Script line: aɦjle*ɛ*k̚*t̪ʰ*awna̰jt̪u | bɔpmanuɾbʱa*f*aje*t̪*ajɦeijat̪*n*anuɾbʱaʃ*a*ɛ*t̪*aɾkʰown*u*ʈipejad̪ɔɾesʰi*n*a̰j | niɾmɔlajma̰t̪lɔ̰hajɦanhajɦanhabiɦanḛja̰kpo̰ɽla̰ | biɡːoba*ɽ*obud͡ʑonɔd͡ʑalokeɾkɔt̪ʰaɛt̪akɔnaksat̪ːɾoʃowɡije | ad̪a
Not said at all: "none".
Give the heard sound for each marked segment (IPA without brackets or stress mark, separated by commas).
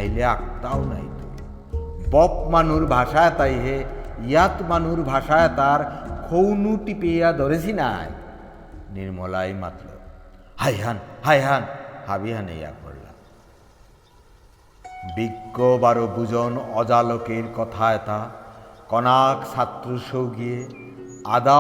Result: a, t̪, ʃ, t̪, m, a, t̪, u, n, ɾ